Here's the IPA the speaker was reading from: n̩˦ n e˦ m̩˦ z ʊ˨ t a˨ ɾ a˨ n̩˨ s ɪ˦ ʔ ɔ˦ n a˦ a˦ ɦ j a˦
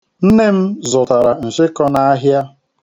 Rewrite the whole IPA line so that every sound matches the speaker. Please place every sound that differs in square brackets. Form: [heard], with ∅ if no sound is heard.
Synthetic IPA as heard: n̩˦ n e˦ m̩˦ z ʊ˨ t a˨ ɾ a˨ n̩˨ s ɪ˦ [k] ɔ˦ n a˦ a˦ ɦ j a˦

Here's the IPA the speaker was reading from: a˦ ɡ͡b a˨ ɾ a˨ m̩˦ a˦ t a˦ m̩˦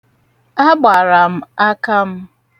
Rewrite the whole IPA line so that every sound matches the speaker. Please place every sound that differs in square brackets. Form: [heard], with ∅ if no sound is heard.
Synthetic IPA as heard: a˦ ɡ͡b a˨ ɾ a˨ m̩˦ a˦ [k] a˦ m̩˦

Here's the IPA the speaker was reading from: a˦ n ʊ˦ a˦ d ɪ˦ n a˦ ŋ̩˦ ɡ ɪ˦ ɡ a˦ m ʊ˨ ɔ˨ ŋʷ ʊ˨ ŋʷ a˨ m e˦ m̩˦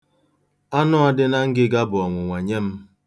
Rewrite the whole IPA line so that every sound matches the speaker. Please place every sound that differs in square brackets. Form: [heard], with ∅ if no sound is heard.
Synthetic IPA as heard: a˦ n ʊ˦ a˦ d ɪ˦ n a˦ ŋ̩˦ ɡ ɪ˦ ɡ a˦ [b] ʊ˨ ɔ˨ ŋʷ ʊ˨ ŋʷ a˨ [ɲ] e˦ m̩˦

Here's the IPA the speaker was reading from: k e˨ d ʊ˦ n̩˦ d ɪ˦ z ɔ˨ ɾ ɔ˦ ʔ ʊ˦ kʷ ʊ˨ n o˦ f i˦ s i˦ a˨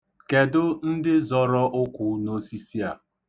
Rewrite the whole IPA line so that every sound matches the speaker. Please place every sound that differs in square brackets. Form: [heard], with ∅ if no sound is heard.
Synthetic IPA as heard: k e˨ d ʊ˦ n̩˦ d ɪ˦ z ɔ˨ ɾ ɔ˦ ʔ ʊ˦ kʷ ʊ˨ n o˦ [s] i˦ s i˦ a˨

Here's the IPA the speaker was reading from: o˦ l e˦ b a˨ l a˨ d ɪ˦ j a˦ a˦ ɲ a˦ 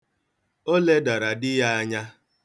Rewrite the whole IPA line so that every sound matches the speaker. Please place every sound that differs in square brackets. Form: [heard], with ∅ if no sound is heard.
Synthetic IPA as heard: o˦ l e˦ [d] a˨ [ɾ] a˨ d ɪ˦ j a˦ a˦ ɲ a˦

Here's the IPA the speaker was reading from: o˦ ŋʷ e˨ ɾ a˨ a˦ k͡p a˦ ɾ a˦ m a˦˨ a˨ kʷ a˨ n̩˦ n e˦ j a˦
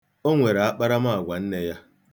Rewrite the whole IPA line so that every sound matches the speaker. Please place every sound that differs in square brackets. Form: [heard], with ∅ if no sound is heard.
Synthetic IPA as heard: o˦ ŋʷ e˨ ɾ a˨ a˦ k͡p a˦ ɾ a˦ m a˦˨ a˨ [ɡʷ] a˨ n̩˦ n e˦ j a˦

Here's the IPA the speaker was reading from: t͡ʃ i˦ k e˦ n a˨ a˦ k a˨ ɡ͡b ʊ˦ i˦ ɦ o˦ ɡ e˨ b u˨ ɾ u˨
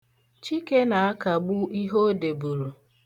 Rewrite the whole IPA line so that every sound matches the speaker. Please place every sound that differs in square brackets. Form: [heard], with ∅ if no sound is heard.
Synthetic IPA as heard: t͡ʃ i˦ k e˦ n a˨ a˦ k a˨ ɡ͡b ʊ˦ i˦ ɦ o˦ [d] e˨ b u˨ ɾ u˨

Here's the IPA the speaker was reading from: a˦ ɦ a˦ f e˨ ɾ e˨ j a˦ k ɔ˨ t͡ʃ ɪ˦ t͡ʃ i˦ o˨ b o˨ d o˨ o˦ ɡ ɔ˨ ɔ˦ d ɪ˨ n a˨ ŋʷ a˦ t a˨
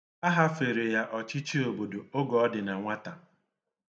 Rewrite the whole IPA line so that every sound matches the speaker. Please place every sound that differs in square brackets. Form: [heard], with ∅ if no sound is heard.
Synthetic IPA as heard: a˦ ɦ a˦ f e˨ ɾ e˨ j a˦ [ʔ] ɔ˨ t͡ʃ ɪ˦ t͡ʃ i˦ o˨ b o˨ d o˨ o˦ ɡ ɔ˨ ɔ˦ d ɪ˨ n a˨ ŋʷ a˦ t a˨

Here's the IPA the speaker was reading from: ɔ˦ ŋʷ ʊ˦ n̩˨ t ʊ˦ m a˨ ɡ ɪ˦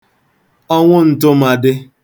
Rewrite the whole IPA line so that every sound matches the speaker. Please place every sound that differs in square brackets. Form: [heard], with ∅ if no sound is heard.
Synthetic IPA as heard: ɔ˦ ŋʷ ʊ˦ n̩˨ t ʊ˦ m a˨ [d] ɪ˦

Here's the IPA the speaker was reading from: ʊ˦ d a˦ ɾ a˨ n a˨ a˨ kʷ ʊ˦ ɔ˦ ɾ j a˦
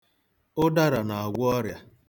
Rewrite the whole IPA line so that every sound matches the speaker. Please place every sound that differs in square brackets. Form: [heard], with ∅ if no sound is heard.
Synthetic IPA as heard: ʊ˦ d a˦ ɾ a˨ n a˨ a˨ [ɡʷ] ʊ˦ ɔ˦ ɾ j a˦

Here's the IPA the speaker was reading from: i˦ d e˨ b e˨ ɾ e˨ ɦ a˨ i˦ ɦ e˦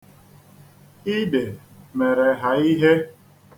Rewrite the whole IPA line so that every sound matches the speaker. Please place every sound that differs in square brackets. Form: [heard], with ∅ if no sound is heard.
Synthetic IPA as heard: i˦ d e˨ [m] e˨ ɾ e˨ ɦ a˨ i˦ ɦ e˦

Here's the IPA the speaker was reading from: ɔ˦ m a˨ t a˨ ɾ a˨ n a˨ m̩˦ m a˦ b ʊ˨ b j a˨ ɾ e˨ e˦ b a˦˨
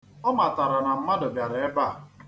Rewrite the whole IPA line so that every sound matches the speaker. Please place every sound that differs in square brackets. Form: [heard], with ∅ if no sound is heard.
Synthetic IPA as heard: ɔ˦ m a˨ t a˨ ɾ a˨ n a˨ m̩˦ m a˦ [d] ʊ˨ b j a˨ ɾ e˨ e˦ b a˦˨

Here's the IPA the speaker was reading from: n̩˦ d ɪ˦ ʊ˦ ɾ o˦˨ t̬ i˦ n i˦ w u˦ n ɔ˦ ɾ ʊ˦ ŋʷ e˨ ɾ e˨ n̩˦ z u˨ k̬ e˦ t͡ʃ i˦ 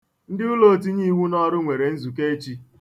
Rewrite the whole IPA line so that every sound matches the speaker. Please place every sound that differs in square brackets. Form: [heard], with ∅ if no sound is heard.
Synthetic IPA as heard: n̩˦ d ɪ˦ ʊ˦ [l] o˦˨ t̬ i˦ [ɲ] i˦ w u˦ n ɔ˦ ɾ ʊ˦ ŋʷ e˨ ɾ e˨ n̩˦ z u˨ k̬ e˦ t͡ʃ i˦

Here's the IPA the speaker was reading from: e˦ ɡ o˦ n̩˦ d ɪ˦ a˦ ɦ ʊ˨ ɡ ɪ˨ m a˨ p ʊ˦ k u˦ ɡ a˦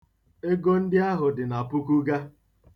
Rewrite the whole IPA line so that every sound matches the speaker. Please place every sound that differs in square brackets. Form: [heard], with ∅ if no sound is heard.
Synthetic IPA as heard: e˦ ɡ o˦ n̩˦ d ɪ˦ a˦ ɦ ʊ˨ [d] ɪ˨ [n] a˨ p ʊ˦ k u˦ ɡ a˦

